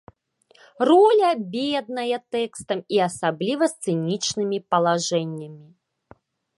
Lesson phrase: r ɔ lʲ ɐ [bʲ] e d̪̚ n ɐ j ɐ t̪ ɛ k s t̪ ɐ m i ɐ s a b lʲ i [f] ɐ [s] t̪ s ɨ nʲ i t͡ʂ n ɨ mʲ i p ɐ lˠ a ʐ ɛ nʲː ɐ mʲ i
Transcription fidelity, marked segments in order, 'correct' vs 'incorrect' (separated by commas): correct, incorrect, correct